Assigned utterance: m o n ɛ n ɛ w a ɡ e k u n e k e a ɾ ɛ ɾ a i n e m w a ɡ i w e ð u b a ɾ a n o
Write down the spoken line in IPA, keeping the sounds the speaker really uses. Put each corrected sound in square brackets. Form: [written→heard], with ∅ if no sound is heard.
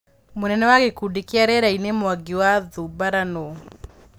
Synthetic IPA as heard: m o n ɛ n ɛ w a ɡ e k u [n→d] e k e a ɾ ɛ ɾ a i n e m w a ɡ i w [e→a] ð u b a ɾ a n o